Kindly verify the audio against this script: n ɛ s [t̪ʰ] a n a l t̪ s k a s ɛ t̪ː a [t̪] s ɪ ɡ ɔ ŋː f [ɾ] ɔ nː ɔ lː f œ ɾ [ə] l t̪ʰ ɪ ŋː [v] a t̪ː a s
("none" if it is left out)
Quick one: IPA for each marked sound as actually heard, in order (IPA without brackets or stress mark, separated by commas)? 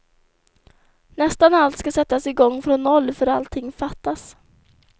t̪, none, ɾ, a, f